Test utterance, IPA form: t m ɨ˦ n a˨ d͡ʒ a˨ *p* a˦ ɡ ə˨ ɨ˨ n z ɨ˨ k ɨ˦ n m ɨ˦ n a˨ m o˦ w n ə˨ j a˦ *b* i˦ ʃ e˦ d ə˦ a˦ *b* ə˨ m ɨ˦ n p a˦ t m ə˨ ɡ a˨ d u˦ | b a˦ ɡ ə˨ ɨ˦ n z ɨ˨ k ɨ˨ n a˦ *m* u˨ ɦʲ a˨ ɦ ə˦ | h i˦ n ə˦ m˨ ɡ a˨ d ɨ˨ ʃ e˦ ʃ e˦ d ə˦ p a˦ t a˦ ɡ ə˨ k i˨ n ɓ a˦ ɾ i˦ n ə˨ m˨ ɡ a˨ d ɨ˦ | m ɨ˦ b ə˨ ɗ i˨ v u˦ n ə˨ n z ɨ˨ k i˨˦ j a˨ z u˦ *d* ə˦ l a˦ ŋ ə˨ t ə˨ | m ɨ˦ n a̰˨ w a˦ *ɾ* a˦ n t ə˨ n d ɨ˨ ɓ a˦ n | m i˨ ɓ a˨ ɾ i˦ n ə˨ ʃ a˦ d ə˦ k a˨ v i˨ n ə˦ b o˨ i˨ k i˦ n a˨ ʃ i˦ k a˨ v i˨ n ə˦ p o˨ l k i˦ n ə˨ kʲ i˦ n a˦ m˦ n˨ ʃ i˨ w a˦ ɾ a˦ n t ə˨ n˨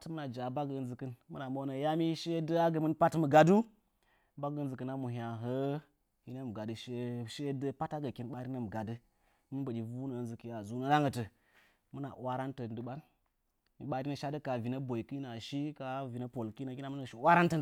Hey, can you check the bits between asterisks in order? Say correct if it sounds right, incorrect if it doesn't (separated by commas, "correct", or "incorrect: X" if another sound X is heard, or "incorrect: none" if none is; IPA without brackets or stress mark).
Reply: incorrect: b, incorrect: m, incorrect: ɡ, correct, incorrect: n, correct